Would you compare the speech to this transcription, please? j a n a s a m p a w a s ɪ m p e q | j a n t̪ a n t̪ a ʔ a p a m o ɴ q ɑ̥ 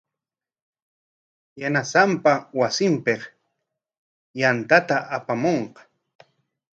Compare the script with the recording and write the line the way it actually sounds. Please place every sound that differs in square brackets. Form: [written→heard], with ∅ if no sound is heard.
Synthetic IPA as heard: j a n a s a m p a w a s ɪ m p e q | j a n t̪ a [n→∅] t̪ a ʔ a p a m o ɴ q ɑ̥